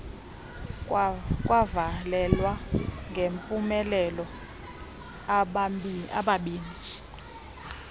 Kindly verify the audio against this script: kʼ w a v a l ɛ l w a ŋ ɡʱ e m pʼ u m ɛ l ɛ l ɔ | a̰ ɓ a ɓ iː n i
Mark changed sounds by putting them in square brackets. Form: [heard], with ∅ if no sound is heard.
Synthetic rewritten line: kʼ w a v a l ɛ l w a ŋ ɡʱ e m pʼ u m ɛ l ɛ l ɔ | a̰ ɓ a ɓ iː n i

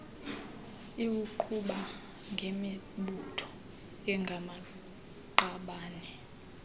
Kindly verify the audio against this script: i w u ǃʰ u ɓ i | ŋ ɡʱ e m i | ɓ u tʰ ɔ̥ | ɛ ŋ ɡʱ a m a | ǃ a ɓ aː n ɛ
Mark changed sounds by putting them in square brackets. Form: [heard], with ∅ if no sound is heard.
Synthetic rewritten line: i w u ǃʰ u ɓ [a] | ŋ ɡʱ e m i | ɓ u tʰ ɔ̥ | ɛ ŋ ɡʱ a m a | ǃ a ɓ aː n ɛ

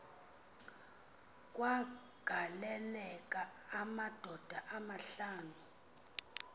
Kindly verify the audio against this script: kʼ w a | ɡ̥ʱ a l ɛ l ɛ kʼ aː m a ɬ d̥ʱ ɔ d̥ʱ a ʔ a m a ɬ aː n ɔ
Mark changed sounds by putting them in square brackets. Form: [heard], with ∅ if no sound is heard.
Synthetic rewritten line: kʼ w a | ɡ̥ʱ a l ɛ l ɛ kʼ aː m a [∅] d̥ʱ ɔ d̥ʱ a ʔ a m a ɬ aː n [u]

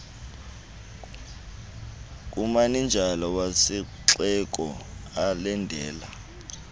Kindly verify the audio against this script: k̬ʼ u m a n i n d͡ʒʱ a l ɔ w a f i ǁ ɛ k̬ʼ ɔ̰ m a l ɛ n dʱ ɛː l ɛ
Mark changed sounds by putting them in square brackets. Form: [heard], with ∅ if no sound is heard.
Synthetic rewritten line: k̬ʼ u m a n i n d͡ʒʱ a l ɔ w a [s] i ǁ ɛ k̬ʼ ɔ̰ [∅] a l ɛ n dʱ ɛː l [a]

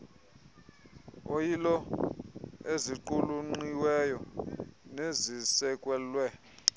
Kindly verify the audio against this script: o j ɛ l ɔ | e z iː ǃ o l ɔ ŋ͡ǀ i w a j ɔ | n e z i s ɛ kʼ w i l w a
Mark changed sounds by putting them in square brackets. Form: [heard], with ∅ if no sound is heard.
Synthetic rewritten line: o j [i] l ɔ | e z [i] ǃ [u] l [u] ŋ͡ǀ i w [ɛ] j ɔ | n e z i s ɛ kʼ w [ɛ] l w [ɛ]

